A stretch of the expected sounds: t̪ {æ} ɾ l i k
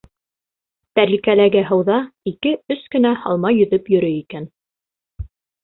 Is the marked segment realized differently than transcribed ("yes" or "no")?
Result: no